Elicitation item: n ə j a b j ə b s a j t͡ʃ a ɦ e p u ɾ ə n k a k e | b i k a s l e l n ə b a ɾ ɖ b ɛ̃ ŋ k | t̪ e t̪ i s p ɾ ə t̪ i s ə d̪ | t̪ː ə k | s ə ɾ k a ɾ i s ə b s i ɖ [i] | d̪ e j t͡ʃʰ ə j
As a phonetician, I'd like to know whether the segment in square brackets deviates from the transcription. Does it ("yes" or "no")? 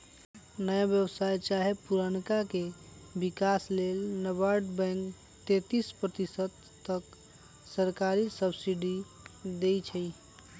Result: no